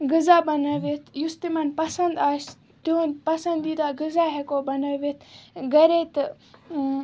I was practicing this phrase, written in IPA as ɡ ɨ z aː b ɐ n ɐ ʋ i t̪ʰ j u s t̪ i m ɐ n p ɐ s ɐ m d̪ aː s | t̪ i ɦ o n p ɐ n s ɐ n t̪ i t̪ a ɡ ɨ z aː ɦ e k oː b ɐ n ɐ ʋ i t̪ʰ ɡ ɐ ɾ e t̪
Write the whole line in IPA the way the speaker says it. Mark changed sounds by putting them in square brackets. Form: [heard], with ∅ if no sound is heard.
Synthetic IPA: ɡ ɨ z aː b ɐ n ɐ ʋ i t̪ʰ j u s t̪ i m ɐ n p ɐ s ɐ [n] d̪ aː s | t̪ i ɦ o n p ɐ [∅] s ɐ n [d̪] i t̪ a ɡ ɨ z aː ɦ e k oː b ɐ n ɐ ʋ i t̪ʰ ɡ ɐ ɾ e t̪